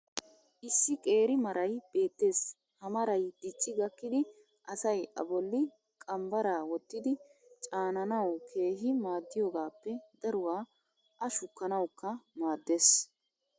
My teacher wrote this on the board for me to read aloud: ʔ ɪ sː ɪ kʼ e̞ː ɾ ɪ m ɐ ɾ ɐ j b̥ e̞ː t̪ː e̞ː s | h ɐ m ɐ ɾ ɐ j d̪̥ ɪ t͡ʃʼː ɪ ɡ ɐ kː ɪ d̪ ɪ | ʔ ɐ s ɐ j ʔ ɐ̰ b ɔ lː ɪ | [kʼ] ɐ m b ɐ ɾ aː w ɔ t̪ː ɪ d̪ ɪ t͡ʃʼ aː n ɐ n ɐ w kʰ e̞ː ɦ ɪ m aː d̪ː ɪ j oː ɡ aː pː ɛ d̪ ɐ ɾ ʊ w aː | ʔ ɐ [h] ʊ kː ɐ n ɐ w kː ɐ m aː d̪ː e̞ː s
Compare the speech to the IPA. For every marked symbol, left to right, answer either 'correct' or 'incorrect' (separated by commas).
correct, incorrect